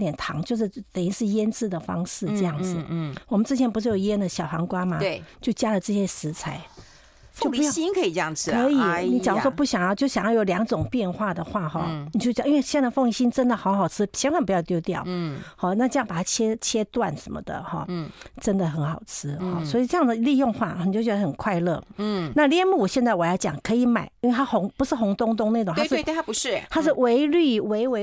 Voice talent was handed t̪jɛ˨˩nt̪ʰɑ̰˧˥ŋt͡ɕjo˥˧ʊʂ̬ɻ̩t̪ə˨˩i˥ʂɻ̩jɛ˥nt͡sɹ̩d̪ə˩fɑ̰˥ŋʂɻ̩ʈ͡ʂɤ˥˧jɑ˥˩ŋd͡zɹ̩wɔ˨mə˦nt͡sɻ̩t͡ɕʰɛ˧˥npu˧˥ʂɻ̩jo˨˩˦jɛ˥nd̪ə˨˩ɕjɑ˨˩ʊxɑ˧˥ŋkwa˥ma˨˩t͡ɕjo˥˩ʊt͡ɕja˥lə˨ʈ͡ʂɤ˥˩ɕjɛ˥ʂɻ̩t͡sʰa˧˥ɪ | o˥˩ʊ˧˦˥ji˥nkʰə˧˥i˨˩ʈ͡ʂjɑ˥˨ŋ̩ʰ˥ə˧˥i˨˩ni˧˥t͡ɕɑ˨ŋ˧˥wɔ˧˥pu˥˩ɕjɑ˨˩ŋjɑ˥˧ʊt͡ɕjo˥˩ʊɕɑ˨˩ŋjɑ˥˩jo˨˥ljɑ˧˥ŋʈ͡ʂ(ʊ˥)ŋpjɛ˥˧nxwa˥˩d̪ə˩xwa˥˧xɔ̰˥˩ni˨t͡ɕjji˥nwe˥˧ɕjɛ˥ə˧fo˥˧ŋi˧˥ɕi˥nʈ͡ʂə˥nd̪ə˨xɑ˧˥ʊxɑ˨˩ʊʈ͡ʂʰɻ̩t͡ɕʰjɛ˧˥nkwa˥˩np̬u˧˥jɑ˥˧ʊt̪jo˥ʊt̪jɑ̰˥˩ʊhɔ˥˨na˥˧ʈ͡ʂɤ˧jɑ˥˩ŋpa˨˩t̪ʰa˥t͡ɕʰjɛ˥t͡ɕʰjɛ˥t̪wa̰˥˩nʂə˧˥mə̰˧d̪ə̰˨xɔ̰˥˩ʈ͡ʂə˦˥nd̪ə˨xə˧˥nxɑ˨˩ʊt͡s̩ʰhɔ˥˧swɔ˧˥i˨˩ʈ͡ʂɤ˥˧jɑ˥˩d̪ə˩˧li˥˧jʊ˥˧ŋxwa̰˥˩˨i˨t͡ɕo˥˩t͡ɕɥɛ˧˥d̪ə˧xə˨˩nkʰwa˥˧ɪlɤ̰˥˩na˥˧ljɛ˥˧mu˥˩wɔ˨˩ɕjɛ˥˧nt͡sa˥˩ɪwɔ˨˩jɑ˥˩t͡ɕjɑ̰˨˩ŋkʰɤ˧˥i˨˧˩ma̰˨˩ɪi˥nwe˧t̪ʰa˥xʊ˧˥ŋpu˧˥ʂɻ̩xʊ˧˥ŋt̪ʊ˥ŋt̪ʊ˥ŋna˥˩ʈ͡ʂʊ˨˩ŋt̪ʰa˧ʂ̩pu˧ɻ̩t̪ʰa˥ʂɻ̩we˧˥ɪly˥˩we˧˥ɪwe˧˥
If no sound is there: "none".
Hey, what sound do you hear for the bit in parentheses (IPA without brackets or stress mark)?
ʊ˨˩